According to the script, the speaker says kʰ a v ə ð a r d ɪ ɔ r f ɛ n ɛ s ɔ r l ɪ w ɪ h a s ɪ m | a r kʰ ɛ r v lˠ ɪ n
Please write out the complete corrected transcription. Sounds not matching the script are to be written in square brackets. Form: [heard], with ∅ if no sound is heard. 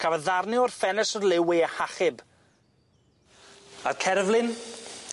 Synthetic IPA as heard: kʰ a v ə ð a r [n] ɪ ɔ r f ɛ n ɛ s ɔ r l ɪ w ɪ h a [χ] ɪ [b] | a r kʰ ɛ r v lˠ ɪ n

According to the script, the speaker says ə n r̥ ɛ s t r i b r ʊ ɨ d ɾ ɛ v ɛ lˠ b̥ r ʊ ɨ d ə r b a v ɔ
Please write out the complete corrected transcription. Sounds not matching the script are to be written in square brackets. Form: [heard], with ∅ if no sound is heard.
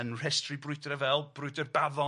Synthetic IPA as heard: ə n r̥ ɛ s t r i b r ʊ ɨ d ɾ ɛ v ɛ lˠ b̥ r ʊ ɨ d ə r b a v ɔ

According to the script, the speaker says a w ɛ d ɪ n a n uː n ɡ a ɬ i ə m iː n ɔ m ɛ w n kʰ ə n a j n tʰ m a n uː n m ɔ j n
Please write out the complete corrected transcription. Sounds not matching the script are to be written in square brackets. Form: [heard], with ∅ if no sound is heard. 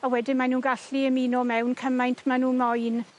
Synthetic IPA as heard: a w ɛ d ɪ [m] a n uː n ɡ a ɬ i ə m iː n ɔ m ɛ w n kʰ ə [m] a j n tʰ m a n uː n m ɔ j n

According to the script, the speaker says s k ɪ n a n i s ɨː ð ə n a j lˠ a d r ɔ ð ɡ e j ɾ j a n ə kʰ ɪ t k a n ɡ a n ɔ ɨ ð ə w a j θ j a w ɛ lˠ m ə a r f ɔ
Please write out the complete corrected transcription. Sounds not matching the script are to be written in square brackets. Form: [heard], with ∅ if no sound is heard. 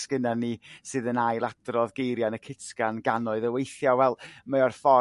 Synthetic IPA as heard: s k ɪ n a n i s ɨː ð ə n a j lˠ a d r ɔ ð ɡ e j ɾ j a n ə kʰ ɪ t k a n ɡ a n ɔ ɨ ð ə w [e] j θ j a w ɛ lˠ m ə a r f ɔ

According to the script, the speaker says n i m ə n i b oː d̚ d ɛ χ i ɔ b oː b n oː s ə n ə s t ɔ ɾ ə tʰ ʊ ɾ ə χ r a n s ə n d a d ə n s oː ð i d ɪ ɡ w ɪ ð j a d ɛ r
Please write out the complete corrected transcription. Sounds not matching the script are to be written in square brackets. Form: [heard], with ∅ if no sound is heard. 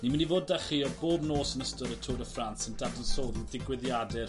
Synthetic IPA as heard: n i m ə n i [v] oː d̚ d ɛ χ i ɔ b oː b n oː s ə n ə s t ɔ ɾ ə tʰ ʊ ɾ ə [f] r a n s ə n d a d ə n s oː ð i d ɪ ɡ w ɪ ð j a d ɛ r

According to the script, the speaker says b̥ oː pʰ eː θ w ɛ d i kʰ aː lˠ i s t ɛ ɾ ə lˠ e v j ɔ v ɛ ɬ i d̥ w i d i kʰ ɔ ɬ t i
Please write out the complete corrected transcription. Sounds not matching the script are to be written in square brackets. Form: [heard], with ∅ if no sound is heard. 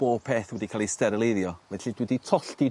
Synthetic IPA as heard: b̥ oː pʰ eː θ w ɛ d i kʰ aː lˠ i s t ɛ ɾ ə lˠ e [ð] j ɔ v ɛ ɬ i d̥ w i d i [tʰ] ɔ ɬ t i

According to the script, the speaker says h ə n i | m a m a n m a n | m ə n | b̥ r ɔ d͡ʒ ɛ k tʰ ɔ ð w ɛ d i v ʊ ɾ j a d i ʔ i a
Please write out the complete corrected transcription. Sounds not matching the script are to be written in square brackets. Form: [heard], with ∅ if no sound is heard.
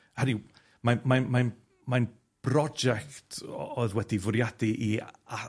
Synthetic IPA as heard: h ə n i | m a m a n m a n | m [a] n | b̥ r ɔ d͡ʒ ɛ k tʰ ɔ ð w ɛ d i v ʊ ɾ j a d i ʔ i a

